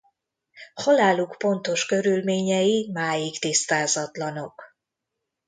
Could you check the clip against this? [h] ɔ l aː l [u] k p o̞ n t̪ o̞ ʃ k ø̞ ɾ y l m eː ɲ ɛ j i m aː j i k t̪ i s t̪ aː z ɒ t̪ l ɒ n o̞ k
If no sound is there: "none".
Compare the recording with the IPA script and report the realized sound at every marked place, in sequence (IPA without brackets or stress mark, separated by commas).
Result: h, u